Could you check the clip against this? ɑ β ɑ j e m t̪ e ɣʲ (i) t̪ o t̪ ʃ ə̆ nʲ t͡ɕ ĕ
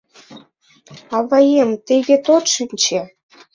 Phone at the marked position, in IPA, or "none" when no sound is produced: e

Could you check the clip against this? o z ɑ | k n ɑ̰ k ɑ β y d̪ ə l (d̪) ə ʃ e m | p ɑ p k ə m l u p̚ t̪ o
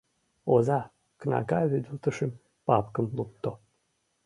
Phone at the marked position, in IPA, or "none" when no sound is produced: t̪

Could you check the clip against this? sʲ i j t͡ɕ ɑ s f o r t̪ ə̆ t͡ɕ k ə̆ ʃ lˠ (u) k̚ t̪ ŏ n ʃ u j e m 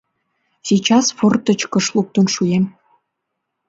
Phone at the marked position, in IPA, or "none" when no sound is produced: u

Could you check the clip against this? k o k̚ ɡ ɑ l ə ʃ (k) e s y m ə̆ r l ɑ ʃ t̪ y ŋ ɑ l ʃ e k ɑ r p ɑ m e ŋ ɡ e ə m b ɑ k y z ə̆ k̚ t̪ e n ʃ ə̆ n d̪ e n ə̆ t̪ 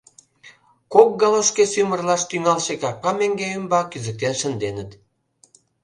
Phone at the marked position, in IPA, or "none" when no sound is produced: k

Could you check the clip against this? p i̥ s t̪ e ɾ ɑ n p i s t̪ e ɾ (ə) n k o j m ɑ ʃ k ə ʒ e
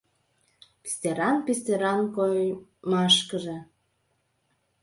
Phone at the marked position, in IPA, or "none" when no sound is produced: ɑ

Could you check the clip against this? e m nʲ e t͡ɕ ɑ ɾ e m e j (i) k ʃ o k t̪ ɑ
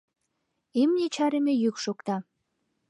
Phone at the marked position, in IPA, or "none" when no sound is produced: y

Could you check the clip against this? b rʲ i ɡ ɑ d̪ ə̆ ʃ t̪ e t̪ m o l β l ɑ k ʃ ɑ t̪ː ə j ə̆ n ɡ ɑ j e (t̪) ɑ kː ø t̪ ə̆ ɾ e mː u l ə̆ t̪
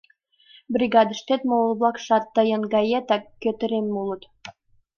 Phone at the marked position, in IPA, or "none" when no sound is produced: t̪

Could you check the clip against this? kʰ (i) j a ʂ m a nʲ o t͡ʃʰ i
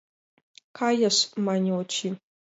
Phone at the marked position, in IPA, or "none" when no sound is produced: a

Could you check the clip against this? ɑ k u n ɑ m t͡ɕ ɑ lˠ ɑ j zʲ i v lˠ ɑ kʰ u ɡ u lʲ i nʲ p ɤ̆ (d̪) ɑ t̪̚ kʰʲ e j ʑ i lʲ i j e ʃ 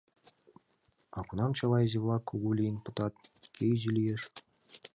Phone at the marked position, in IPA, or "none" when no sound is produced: t̪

